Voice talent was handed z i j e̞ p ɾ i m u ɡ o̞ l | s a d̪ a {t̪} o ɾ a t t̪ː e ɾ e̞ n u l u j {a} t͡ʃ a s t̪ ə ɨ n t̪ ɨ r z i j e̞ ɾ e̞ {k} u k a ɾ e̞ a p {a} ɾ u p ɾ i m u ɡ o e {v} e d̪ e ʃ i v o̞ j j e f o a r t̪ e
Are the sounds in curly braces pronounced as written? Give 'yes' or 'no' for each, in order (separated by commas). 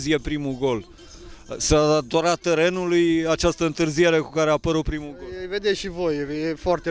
no, yes, yes, no, yes